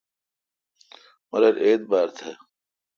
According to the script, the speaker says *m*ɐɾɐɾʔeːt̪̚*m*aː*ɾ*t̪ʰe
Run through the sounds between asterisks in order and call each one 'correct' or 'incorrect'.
correct, incorrect, correct

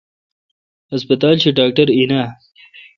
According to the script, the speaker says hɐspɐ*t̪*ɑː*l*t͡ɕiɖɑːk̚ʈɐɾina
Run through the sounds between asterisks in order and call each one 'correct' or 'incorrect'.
correct, correct

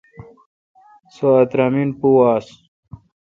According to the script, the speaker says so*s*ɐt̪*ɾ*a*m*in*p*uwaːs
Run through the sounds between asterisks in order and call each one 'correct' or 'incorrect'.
incorrect, correct, correct, correct

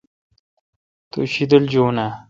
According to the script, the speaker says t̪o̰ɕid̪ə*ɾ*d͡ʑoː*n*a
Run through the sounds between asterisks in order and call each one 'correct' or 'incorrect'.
incorrect, correct

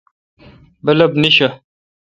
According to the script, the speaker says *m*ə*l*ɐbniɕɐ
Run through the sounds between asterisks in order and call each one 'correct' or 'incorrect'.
incorrect, correct

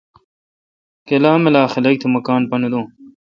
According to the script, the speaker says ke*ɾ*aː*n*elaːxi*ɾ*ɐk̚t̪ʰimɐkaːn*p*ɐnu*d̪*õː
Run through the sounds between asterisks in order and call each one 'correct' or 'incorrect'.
incorrect, incorrect, incorrect, correct, correct

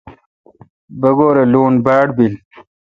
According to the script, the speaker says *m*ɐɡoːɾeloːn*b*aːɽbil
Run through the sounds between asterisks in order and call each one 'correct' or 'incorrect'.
incorrect, correct

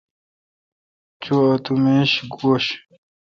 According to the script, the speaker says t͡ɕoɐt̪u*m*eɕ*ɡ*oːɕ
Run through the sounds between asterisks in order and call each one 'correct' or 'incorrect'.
correct, correct

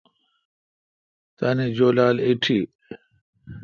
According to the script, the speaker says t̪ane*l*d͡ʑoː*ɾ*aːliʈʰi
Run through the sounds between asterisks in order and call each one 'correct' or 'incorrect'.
incorrect, incorrect

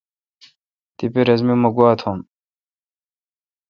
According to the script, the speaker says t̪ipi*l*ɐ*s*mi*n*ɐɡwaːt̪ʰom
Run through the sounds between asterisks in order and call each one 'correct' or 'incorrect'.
incorrect, incorrect, incorrect

